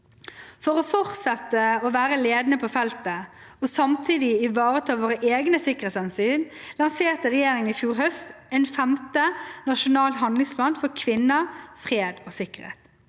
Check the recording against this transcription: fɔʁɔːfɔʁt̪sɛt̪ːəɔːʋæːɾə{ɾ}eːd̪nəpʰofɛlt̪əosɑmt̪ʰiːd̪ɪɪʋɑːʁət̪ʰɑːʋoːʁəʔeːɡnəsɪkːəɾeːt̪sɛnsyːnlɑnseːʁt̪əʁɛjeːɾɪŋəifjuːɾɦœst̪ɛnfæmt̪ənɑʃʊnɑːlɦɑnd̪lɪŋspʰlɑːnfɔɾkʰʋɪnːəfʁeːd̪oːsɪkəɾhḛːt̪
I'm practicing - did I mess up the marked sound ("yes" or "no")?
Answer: yes